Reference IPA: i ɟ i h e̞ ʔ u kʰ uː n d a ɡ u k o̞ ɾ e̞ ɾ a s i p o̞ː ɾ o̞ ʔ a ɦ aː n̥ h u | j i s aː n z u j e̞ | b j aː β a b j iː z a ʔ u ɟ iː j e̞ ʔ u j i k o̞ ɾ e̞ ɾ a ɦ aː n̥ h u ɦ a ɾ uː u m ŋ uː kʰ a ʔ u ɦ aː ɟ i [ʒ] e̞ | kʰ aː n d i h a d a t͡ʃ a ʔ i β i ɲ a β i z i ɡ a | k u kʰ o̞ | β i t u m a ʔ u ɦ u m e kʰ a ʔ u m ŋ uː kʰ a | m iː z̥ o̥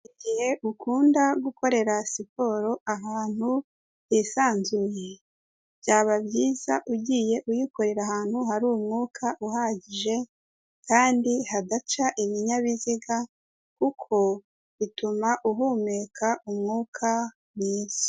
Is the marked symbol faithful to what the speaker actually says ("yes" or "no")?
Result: yes